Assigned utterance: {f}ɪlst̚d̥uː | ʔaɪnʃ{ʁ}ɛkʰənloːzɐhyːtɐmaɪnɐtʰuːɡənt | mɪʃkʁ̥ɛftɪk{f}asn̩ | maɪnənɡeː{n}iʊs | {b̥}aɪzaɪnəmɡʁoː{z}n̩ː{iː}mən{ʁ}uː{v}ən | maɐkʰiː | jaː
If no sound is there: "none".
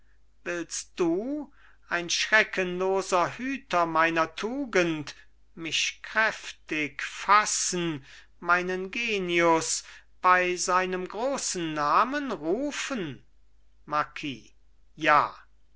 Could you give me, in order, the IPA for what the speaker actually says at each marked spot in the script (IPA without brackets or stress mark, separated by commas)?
v, ʁ, f, n, b̥, s, aː, ʁ, f